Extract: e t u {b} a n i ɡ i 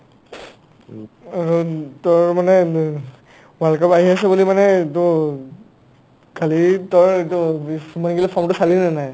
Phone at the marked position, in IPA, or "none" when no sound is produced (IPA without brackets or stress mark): m